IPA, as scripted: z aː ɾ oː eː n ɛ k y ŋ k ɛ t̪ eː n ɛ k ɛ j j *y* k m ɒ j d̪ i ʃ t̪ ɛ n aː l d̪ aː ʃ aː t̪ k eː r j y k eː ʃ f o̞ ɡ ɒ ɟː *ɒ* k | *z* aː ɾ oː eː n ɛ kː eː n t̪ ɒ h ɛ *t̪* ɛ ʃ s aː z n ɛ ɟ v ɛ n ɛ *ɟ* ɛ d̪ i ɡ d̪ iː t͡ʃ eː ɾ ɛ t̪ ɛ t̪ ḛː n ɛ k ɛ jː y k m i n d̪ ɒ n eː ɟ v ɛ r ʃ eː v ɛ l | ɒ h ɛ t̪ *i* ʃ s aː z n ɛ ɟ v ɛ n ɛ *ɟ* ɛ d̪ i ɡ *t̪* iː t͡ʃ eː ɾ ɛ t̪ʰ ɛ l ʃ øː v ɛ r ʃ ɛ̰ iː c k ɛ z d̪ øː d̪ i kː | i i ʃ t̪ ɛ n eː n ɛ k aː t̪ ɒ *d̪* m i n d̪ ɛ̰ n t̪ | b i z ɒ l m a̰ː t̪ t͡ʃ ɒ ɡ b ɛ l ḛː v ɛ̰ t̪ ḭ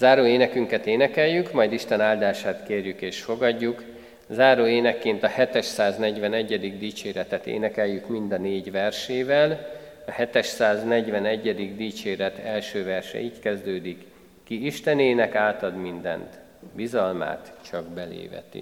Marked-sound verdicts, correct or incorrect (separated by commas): correct, incorrect, correct, correct, incorrect, incorrect, incorrect, incorrect, correct